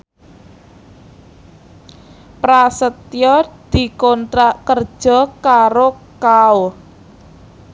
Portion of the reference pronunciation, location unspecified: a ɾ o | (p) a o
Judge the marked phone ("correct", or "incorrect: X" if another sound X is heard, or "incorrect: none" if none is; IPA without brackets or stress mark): incorrect: k